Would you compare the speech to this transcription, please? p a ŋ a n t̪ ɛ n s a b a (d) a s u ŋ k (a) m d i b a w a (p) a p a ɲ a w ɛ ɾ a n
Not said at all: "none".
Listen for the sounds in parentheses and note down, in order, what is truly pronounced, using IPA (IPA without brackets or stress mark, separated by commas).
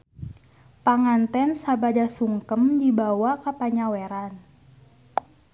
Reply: d, ə, k